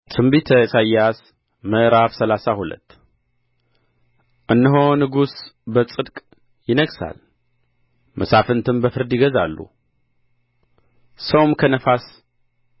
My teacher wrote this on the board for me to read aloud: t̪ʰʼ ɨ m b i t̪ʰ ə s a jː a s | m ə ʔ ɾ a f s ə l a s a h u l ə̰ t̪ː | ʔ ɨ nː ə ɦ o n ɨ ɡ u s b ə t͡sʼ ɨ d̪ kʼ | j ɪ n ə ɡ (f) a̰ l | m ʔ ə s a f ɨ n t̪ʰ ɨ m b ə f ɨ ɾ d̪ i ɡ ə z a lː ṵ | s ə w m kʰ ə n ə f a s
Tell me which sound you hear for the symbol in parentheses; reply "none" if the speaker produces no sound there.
s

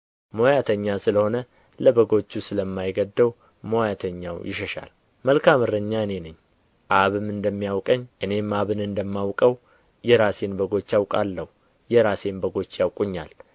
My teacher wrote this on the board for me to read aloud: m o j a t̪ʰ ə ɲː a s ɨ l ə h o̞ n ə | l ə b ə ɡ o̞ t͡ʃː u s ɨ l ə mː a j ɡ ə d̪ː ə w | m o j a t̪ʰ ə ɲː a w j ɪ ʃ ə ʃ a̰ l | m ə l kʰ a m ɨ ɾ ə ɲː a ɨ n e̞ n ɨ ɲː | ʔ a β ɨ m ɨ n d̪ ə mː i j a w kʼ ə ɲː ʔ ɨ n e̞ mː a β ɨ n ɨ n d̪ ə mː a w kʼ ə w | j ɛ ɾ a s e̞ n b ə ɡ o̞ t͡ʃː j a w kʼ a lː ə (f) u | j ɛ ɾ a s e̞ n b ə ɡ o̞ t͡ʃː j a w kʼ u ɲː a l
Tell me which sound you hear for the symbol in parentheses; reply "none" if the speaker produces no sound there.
h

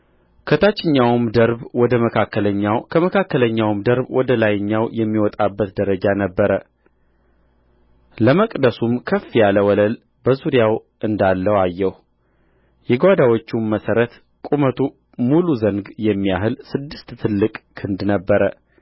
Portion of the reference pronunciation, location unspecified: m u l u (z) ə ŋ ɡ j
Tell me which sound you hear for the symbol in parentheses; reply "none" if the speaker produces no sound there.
z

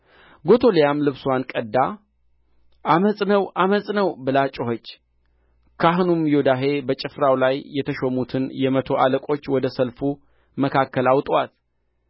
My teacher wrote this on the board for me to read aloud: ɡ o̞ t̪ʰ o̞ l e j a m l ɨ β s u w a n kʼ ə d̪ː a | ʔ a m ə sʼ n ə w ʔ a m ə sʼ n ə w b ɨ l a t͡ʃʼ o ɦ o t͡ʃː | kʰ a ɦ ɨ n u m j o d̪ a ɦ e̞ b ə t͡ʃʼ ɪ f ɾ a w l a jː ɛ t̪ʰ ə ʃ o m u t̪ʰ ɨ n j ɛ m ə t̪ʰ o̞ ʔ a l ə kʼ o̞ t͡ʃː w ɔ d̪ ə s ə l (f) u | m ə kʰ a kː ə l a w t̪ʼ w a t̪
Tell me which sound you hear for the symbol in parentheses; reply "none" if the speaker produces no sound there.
f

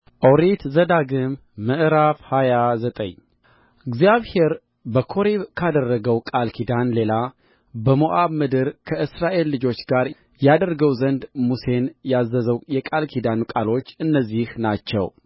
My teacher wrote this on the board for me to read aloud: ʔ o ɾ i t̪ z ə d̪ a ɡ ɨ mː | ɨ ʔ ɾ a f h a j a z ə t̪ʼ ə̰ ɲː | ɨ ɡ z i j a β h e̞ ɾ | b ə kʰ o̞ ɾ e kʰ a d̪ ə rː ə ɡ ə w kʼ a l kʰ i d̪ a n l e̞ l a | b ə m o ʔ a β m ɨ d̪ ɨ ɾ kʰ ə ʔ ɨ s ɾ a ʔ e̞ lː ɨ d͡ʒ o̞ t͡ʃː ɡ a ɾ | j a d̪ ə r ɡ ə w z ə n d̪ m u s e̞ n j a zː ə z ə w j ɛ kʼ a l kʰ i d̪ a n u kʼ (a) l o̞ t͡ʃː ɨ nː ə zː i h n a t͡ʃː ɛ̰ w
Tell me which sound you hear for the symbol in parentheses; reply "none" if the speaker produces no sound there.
a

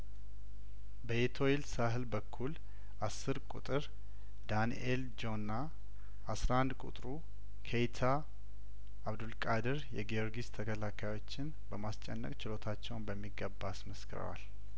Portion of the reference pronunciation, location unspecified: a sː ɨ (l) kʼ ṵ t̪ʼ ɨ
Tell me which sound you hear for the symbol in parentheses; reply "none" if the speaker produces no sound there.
ɾ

